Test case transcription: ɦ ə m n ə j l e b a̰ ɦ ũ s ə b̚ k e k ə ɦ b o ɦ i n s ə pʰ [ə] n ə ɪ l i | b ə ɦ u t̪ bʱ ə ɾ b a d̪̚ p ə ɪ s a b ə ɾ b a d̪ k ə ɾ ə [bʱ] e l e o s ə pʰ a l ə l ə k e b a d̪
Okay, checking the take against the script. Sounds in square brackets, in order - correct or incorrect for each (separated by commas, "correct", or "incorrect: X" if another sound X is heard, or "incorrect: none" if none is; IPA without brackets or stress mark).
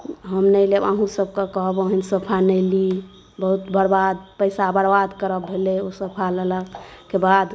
incorrect: a, correct